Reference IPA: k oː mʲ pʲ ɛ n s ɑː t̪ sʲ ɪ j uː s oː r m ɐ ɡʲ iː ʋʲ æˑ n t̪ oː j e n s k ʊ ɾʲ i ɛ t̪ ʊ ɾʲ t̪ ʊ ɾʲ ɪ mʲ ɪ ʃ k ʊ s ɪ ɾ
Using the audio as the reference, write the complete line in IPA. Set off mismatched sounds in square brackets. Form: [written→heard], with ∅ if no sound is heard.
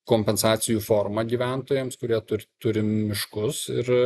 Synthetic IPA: k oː mʲ pʲ ɛ n s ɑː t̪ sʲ ɪ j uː [s→f] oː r m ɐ ɡʲ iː ʋʲ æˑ n t̪ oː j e [n→m] s k ʊ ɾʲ i ɛ t̪ ʊ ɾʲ t̪ ʊ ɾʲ ɪ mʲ ɪ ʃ k ʊ s ɪ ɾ